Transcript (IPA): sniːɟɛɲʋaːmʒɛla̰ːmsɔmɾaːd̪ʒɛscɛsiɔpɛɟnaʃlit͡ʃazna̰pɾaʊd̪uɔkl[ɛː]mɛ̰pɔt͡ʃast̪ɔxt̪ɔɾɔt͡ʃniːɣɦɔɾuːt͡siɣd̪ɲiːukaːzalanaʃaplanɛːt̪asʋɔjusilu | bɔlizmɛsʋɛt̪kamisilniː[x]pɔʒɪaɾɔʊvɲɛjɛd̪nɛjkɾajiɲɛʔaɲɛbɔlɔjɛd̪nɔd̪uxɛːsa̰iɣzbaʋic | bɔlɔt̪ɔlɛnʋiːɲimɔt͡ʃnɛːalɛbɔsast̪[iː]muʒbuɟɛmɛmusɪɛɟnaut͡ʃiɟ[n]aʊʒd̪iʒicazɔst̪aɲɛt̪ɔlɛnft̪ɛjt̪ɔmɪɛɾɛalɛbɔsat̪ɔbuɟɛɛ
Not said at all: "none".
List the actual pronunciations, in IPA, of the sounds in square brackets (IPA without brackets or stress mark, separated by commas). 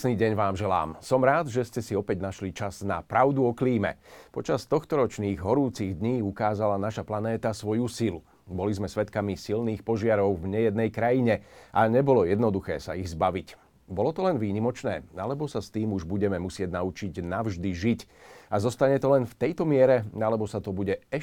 iː, x, iː, n